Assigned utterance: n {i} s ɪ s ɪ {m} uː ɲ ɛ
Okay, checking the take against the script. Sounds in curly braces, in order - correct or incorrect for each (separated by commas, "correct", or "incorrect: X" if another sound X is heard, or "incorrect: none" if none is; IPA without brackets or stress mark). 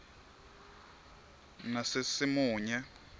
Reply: incorrect: a, correct